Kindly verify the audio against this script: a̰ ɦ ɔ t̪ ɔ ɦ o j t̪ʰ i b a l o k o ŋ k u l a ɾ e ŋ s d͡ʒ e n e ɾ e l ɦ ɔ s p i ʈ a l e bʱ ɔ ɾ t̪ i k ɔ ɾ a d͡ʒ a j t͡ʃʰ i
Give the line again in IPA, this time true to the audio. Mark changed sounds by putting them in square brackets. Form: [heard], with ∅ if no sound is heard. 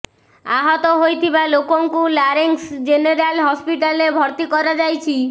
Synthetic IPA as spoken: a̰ ɦ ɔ t̪ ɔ ɦ o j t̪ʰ i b a l o k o ŋ k u l a ɾ e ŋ s d͡ʒ e n e ɾ [a] l ɦ ɔ s p i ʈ a l e bʱ ɔ ɾ t̪ i k ɔ ɾ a d͡ʒ a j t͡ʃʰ i